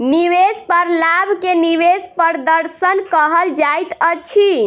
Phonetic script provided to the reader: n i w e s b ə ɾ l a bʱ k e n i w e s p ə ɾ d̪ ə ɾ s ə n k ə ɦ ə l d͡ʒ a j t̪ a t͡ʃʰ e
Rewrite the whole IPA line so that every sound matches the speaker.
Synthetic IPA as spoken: n i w e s p ə ɾ l a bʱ k e n i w e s p ə ɾ d̪ ə ɾ s ə n k ə ɦ ə l d͡ʒ a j t̪ ə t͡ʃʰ i

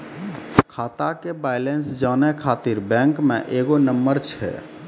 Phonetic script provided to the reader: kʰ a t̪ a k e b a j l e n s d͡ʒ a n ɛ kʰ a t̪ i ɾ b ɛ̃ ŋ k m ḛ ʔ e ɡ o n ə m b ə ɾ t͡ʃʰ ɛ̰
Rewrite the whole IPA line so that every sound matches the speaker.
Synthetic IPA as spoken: kʰ a t̪ a k e b a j l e n s d͡ʒ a n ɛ kʰ a t̪ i ɾ b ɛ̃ ŋ k m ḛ ʔ e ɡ o n ə m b ə ɾ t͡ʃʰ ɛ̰

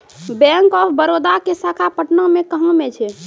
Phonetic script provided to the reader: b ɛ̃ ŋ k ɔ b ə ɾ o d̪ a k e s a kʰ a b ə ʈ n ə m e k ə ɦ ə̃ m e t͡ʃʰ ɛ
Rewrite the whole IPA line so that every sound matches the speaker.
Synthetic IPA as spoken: b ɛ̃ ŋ k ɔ b ə ɾ o d̪ a k e s a kʰ a p ə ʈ n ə m e k ə ɦ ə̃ m e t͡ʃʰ ɛ

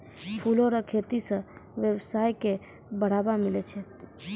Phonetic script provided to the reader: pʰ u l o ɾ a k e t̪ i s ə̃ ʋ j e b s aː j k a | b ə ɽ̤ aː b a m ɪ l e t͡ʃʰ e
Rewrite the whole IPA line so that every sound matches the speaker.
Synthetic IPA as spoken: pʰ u l o ɾ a kʰ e t̪ i s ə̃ ʋ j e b s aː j k e | b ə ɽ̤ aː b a m ɪ l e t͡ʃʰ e

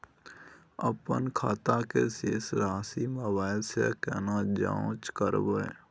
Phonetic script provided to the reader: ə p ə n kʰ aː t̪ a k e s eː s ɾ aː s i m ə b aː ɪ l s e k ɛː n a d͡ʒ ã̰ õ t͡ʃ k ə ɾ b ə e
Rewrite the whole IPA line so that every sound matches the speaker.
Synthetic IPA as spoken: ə p ə n kʰ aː t̪ a k e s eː s ɾ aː s i m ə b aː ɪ l s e k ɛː n a d͡ʒ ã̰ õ t͡ʃ k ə ɾ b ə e

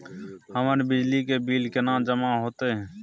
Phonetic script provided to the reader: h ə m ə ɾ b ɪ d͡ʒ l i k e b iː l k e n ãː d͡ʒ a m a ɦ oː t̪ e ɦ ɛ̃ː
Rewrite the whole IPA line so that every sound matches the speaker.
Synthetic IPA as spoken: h ə m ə ɾ b ɪ d͡ʒ l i k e b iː l k e n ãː d͡ʒ ə m a ɦ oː t̪ e ɦ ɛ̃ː

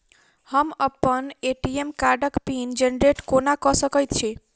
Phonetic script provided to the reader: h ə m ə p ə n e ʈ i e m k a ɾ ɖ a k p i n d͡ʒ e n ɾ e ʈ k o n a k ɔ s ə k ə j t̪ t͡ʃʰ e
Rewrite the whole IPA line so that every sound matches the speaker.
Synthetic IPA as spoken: h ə m ə p ə n e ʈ i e m k a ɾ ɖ ə k p i n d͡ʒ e n ɾ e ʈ k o n a k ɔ s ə k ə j t̪ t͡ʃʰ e

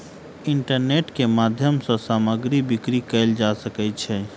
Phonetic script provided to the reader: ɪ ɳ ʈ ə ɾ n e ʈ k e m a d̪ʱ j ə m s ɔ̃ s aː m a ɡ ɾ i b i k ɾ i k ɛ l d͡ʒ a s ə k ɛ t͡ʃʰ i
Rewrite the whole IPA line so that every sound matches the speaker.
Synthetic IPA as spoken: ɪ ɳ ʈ ə ɾ n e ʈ k e m a d̪ʱ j ə m s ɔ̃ s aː m ə ɡ ɾ i b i k ɾ i k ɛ l d͡ʒ a s ə k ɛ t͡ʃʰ ɛ

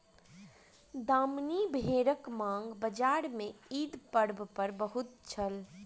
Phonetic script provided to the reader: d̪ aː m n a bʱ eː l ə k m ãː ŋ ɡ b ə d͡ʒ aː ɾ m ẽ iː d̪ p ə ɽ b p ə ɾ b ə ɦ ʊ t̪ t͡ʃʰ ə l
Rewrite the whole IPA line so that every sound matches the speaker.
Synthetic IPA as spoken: d̪ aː m n i bʱ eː ɾ ə k m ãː ŋ ɡ b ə d͡ʒ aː ɾ m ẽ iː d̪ p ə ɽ b p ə ɾ b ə ɦ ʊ t̪ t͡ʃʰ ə l

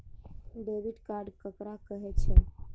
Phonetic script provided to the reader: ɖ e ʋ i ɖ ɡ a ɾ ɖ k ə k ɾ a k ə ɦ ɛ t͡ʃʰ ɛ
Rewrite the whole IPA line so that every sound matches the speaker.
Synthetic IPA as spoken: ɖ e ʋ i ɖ k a ɾ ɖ k ə k ɾ a k ə ɦ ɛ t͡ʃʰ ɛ

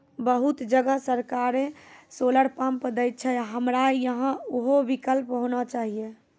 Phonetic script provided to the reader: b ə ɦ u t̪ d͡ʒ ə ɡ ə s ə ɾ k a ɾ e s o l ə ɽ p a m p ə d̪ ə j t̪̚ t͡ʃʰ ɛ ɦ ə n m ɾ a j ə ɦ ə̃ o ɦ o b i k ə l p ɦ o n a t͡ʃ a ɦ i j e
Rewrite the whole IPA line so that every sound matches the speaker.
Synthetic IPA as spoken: b ə ɦ u t̪ d͡ʒ ə ɡ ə s ə ɾ k a ɾ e s o l ə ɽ p a m p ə d̪ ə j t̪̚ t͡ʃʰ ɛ ɦ ə m ɾ a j ə ɦ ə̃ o ɦ o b i k ə l p ɦ o n a t͡ʃ a ɦ i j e

